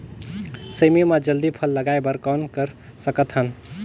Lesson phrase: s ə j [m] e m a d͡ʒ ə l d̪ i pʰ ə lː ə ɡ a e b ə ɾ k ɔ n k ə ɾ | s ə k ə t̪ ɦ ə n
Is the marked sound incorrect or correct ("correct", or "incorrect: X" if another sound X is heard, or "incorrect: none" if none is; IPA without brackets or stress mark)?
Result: correct